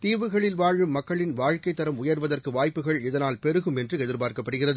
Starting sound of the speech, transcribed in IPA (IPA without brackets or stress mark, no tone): t̪